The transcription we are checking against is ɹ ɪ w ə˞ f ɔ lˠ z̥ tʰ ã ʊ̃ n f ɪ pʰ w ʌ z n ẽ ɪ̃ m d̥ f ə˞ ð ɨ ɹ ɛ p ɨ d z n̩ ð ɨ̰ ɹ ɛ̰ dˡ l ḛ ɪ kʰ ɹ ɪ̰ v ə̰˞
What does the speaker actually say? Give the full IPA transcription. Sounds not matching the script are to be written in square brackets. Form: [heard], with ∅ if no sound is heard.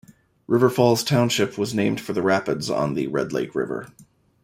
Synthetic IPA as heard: ɹ ɪ [v] ə˞ f ɔ lˠ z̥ tʰ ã ʊ̃ n [ʃ] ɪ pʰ w ʌ z n ẽ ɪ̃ m d̥ f ə˞ ð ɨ ɹ [æ] p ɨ d z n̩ ð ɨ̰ ɹ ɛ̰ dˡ l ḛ ɪ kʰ ɹ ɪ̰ v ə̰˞

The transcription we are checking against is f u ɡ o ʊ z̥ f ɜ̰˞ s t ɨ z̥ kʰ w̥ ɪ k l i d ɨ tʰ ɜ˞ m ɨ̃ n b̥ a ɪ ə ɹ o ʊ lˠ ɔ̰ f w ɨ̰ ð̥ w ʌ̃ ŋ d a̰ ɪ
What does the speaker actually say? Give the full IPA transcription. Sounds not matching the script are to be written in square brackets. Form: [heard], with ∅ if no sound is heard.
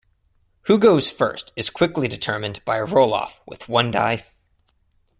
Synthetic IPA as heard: [h] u ɡ o ʊ z̥ f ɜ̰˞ s t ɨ z̥ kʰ w̥ ɪ k l i d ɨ tʰ ɜ˞ m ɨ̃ n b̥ a ɪ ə ɹ o ʊ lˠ ɔ̰ f w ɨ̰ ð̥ w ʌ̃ [n] d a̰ ɪ

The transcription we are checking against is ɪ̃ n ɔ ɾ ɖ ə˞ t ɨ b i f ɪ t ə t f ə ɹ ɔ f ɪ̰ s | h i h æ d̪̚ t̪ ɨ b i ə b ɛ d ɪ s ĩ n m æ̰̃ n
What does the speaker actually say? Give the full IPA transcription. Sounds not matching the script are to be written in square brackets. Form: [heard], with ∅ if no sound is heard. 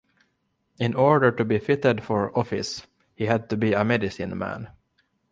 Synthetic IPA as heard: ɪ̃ n ɔ [ɹ] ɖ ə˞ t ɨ b i f ɪ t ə [d] f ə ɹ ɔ f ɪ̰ s | h i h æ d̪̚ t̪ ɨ b i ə [m] ɛ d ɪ s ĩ n m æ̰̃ n

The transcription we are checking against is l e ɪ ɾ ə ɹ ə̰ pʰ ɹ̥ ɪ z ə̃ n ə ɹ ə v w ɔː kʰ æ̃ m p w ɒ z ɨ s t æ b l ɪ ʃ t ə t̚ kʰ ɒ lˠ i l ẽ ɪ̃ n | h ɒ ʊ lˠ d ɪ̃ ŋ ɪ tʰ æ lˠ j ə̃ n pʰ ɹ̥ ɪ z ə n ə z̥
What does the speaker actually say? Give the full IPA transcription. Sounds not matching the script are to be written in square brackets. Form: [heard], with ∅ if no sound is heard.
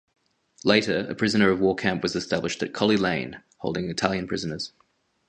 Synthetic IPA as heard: l e ɪ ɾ ə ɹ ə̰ pʰ ɹ̥ ɪ z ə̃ n ə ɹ ə v w ɔː kʰ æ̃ m p w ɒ z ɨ s t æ b l ɪ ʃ t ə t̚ kʰ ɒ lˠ i l ẽ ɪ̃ n | h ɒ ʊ lˠ d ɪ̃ ŋ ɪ tʰ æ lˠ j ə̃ n pʰ ɹ̥ ɪ z ə n ə z̥

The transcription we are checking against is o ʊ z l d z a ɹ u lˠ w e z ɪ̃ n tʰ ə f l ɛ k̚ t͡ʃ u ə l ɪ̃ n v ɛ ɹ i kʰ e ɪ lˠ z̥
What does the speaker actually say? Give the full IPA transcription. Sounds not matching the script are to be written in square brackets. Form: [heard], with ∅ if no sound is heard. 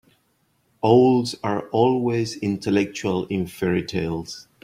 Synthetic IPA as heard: o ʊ [∅] l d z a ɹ [ɔ] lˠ w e z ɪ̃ n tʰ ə [∅] l ɛ k̚ t͡ʃ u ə l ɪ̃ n [f] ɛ ɹ i [tʰ] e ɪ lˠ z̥

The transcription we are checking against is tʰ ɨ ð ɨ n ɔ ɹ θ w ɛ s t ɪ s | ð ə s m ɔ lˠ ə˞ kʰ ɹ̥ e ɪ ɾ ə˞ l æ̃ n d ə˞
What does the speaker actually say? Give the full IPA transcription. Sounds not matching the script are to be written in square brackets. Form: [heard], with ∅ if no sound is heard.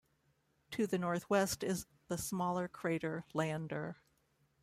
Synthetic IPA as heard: tʰ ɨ ð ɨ n ɔ ɹ θ w ɛ s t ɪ [z] | ð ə s m ɔ lˠ ə˞ kʰ ɹ̥ e ɪ ɾ ə˞ l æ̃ n d ə˞

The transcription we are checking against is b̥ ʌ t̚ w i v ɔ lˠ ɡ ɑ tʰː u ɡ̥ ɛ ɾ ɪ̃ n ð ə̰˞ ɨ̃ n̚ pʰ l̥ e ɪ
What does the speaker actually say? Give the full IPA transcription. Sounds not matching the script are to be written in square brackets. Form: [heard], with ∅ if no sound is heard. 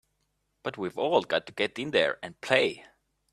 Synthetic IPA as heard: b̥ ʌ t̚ w i v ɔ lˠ ɡ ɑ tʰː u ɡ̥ ɛ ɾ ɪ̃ n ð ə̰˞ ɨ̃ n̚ pʰ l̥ e ɪ

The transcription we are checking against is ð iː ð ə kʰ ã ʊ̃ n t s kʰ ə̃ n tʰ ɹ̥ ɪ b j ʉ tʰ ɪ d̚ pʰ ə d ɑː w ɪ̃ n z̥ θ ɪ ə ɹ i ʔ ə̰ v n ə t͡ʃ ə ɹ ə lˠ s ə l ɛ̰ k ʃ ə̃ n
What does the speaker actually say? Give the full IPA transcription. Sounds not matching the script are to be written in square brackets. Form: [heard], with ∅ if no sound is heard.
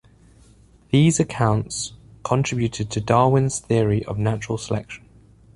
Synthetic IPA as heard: ð iː [z] ə kʰ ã ʊ̃ n t s kʰ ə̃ n tʰ ɹ̥ ɪ b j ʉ tʰ ɪ d̚ [tʰ] ə d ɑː w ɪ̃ n z̥ θ ɪ ə ɹ i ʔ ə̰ v n [a] t͡ʃ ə ɹ ə lˠ s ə l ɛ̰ k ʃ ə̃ n

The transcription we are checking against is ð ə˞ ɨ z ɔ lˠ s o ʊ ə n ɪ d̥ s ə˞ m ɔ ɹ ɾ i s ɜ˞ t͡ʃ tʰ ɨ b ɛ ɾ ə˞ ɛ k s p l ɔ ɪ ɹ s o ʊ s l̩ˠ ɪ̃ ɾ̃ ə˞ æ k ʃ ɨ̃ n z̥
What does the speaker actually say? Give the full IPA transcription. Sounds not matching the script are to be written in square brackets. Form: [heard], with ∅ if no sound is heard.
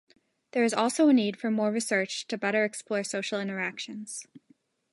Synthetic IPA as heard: ð ə˞ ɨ z ɔ lˠ s o ʊ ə n [i] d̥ [f] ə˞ m ɔ ɹ [ɹ] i s ɜ˞ t͡ʃ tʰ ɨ b ɛ ɾ ə˞ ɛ k s p l ɔ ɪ ɹ s o ʊ [ʃ] l̩ˠ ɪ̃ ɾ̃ ə˞ æ k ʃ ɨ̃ n z̥

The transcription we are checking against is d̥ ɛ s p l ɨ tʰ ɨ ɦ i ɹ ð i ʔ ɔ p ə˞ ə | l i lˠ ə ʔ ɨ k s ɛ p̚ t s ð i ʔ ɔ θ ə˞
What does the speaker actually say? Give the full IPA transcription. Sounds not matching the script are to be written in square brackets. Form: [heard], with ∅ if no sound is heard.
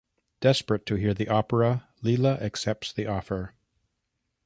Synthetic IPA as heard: d̥ ɛ s p [ɹ] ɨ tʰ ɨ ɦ i ɹ ð i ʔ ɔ p ə˞ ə | l i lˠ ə ʔ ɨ k s ɛ p̚ t s ð i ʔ ɔ [f] ə˞

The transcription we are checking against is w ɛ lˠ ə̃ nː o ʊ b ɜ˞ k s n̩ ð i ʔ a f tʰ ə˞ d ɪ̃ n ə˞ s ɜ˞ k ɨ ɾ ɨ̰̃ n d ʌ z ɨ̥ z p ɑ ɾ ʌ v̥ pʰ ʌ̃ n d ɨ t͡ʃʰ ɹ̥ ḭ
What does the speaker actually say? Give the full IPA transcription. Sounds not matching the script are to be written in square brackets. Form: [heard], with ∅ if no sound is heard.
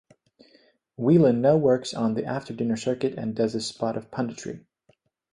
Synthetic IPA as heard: w [i] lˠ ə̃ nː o ʊ [w] ɜ˞ k s n̩ ð i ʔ [æ] f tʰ ə˞ d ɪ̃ n ə˞ s ɜ˞ k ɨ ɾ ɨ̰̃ n d ʌ z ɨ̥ [s] p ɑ ɾ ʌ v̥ pʰ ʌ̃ n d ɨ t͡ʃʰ ɹ̥ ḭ

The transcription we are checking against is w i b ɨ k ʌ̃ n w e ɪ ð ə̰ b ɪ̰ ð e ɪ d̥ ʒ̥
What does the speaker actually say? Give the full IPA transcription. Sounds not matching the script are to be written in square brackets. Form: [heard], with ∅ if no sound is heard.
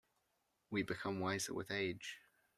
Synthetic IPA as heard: w i b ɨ [kʰ] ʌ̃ [m] w [a] ɪ [z] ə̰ [w] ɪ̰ ð e ɪ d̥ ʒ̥

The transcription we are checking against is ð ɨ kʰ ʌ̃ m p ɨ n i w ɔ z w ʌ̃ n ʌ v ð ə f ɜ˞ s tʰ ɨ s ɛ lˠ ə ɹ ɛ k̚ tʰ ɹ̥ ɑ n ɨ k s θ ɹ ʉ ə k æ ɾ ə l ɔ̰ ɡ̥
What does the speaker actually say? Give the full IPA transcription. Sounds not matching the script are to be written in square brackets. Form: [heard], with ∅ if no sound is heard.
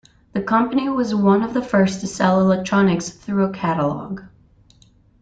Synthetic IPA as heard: ð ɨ kʰ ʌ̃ m p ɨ n i w [ʌ] z w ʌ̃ n ʌ v ð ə f ɜ˞ s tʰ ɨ s ɛ lˠ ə [l] ɛ k̚ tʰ ɹ̥ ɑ n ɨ k s θ ɹ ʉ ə [kʰ] æ ɾ ə l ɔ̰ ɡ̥

